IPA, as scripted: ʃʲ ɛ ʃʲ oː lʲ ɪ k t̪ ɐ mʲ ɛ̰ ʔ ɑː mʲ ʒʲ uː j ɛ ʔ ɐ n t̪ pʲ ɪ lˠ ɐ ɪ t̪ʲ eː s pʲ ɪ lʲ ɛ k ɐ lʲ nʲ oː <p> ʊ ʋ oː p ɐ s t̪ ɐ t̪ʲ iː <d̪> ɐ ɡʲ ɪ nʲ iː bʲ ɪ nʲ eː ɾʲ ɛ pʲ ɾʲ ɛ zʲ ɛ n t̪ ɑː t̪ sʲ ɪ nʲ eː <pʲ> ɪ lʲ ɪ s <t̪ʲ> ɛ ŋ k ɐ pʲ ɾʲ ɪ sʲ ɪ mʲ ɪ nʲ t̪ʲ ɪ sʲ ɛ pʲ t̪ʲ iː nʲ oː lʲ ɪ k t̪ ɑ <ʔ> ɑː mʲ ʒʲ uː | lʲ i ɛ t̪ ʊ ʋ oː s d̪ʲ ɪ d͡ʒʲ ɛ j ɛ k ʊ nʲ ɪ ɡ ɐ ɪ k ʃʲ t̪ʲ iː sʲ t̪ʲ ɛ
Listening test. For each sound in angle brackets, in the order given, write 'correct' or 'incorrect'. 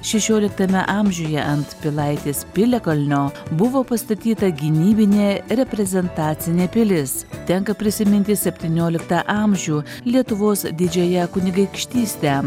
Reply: incorrect: b, incorrect: t̪, correct, correct, correct

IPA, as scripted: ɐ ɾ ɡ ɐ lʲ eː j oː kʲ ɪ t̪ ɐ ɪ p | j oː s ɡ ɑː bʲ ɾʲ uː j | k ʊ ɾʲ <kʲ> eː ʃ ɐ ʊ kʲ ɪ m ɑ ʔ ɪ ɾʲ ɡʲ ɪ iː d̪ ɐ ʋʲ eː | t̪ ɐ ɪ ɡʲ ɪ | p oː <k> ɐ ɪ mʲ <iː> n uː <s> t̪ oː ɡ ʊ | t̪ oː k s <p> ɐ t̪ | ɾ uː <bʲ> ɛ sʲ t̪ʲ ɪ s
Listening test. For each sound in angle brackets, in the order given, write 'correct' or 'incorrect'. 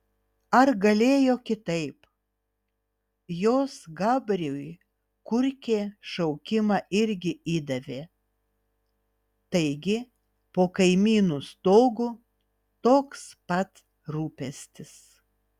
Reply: correct, correct, correct, correct, correct, incorrect: pʲ

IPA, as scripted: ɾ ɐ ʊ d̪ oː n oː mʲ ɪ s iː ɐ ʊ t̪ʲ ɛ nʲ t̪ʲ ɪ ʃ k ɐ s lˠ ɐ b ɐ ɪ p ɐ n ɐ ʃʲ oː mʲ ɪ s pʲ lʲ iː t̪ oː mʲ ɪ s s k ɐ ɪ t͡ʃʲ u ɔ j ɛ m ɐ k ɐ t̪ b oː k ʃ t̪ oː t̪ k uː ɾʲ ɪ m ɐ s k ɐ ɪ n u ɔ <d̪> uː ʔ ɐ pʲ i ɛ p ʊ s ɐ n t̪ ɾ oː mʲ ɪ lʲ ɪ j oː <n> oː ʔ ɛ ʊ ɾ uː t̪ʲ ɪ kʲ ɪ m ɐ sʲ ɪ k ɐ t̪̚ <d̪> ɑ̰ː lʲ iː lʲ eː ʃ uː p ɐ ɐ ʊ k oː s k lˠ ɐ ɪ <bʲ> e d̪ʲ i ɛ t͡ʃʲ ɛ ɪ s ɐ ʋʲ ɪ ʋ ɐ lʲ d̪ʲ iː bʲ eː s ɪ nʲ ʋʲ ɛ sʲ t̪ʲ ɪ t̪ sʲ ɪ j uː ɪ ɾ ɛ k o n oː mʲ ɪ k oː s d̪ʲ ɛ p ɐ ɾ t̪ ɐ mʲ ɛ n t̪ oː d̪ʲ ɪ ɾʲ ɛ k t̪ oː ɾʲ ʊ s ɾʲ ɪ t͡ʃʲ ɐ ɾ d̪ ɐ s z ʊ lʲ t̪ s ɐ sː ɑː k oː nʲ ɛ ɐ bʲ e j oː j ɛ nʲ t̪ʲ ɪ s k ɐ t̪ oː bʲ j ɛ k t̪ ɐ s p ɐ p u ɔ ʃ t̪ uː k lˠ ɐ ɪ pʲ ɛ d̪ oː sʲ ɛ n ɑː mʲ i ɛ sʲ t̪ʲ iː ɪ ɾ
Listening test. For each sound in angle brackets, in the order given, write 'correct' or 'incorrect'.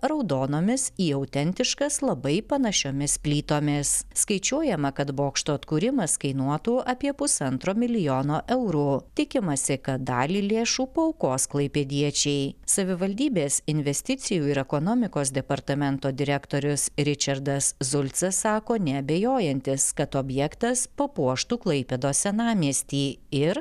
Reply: incorrect: t̪, correct, correct, incorrect: pʲ

